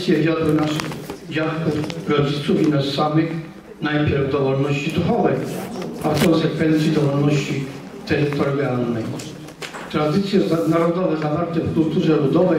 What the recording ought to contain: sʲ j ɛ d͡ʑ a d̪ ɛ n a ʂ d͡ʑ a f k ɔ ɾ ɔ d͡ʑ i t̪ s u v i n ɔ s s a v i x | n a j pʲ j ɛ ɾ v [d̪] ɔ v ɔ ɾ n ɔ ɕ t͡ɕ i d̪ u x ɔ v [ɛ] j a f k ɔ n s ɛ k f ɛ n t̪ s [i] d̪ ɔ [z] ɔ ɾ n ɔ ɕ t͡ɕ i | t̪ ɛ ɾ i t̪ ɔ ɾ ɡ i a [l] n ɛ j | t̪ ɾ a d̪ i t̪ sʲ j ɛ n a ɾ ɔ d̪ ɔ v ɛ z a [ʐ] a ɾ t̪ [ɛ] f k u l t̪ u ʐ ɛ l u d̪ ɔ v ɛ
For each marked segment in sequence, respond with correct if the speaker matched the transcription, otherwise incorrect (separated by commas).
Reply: correct, correct, correct, incorrect, correct, incorrect, correct